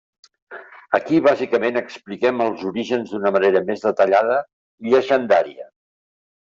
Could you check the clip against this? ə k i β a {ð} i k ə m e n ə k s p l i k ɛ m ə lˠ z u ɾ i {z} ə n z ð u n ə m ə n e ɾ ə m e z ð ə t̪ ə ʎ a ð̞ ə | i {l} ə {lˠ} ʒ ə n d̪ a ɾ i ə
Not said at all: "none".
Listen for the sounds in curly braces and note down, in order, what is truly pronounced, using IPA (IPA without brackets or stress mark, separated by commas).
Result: z, ʒ, ʎ, none